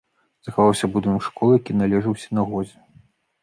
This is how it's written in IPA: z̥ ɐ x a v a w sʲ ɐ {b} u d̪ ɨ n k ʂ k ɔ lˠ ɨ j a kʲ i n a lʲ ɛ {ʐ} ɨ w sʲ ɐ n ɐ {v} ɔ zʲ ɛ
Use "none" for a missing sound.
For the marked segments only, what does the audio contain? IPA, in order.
b, ʐ, ɣ

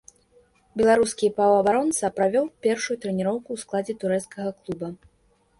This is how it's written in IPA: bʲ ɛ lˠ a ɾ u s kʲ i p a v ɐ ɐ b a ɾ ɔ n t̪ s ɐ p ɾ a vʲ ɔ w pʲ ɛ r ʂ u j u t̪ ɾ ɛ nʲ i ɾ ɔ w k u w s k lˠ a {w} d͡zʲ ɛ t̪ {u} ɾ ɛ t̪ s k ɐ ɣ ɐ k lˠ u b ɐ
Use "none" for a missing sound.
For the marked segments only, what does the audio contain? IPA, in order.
none, u

